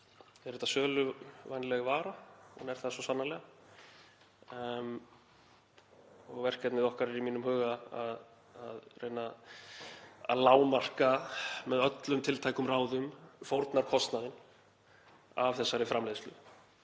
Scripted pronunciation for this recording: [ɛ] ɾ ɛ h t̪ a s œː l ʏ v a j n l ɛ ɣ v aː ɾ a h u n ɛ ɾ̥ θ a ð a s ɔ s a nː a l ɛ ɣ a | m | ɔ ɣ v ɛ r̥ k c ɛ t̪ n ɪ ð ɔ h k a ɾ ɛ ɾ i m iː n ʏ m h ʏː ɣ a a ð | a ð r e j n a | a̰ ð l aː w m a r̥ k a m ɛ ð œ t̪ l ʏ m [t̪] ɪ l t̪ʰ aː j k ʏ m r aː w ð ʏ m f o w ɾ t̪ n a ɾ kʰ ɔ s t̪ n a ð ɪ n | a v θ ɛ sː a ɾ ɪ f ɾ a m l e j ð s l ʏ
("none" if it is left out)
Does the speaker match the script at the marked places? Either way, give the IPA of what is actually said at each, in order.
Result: ɛ, t̪ʰ

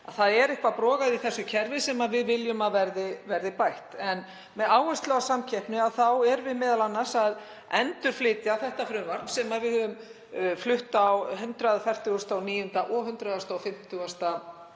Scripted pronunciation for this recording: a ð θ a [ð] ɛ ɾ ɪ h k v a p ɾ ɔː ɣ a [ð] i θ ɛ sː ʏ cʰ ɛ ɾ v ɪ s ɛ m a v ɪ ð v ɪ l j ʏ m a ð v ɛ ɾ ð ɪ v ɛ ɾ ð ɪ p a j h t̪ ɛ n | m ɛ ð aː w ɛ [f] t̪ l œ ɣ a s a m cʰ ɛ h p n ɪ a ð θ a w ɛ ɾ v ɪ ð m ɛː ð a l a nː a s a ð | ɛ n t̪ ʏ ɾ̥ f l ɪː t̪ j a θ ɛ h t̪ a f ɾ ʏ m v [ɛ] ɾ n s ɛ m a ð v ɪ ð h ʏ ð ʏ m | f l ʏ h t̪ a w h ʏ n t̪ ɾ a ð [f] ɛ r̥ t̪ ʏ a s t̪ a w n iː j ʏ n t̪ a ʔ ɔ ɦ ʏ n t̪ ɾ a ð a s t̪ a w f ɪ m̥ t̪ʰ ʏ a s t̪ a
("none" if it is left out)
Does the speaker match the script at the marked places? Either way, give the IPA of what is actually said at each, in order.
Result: ð, ð, s, a, f

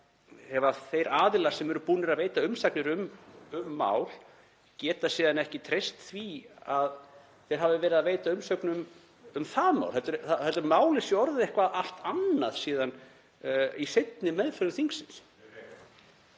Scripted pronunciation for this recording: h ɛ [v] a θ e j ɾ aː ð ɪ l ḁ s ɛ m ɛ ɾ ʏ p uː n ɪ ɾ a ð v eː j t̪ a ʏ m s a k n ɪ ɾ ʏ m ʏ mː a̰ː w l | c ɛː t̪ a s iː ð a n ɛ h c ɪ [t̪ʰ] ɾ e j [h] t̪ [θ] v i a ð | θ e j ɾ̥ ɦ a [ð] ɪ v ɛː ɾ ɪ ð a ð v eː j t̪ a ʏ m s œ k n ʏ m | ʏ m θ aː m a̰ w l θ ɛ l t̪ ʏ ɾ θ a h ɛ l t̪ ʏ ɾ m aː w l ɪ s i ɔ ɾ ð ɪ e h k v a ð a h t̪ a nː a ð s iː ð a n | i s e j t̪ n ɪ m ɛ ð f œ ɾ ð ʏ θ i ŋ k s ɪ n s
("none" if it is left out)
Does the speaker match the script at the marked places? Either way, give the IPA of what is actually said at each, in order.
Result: v, t̪ʰ, s, θ, v

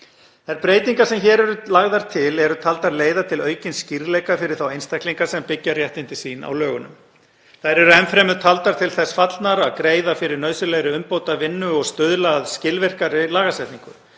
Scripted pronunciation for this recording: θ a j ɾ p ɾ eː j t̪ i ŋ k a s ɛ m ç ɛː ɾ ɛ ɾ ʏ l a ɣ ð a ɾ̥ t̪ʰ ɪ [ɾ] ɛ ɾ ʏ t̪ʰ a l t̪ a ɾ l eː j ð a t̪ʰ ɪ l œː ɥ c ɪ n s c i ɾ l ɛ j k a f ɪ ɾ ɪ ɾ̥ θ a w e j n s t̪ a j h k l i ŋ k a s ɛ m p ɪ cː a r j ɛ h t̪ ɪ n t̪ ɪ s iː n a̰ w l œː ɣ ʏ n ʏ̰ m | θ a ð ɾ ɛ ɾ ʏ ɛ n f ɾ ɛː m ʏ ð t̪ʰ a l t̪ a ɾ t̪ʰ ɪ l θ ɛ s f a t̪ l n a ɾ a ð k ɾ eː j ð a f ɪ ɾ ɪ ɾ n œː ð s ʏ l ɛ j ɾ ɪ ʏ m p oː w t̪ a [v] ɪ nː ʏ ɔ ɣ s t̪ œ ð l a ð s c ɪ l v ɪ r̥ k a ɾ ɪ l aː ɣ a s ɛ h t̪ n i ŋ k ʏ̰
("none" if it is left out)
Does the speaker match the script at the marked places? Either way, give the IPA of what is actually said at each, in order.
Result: l, v

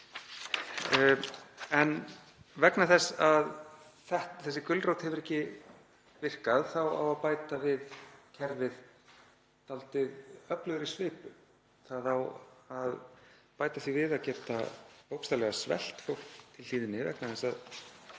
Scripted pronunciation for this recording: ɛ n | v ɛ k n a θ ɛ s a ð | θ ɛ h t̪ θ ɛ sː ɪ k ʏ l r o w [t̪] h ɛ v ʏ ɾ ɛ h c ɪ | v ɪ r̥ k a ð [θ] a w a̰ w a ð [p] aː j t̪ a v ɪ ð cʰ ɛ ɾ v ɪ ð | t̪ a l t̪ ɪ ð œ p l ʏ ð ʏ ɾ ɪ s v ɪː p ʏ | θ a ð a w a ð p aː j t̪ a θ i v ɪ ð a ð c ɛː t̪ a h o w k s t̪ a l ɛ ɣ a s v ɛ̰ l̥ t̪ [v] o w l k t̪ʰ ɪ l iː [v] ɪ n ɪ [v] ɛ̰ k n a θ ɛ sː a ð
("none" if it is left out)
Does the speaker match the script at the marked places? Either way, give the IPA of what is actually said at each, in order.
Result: t̪, θ, p, f, ð, v

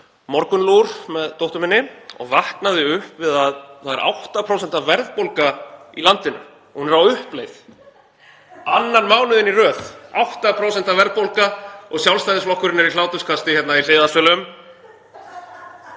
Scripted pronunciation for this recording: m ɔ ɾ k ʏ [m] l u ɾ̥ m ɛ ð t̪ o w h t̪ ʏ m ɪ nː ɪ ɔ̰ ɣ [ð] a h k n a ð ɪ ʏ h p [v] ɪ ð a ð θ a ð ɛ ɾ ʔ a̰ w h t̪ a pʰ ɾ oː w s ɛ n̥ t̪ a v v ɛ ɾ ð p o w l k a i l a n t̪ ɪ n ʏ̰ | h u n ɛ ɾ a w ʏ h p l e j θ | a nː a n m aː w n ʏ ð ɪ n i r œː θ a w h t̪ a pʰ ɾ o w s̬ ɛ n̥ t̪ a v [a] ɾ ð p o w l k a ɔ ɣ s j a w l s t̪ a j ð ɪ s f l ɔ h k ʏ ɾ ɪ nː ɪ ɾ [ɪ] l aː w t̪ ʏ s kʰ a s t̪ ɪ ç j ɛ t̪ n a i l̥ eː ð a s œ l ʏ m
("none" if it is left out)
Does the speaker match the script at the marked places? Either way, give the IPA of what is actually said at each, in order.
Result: n, v, v, ɛ, i

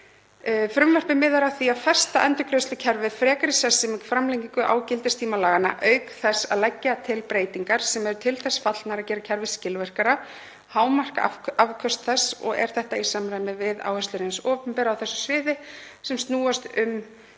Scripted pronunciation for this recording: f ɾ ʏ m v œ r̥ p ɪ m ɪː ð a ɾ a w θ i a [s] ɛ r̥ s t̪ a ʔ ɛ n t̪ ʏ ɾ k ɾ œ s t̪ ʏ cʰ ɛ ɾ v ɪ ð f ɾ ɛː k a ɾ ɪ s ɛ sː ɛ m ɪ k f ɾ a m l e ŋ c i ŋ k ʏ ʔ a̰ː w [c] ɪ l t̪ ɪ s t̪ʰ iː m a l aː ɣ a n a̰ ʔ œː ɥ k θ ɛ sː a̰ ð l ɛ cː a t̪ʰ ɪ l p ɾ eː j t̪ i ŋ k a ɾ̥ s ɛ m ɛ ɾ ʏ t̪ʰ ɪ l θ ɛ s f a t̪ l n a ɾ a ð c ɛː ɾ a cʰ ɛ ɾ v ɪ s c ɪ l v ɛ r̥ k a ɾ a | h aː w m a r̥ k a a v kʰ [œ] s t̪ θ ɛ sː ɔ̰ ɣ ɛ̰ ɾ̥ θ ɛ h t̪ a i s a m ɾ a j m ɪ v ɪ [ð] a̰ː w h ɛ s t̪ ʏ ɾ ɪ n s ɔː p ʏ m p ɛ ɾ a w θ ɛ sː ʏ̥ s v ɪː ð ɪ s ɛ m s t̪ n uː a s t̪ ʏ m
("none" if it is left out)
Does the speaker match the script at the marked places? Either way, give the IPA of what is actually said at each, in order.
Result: f, c, œ, ð

